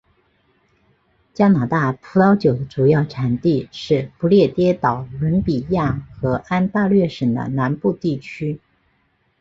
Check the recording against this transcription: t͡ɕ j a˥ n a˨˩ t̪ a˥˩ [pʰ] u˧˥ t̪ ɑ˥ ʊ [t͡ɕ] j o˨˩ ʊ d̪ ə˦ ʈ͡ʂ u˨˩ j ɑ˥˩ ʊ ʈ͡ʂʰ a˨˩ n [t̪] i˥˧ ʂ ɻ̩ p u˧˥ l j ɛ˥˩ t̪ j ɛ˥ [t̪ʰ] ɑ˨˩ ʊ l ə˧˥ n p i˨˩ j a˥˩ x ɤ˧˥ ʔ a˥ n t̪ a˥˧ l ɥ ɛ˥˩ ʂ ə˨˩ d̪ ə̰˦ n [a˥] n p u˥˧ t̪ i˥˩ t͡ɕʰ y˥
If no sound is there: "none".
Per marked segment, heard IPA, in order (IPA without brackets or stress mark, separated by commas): pʰ, t͡ɕ, t̪, t̪, a˧˥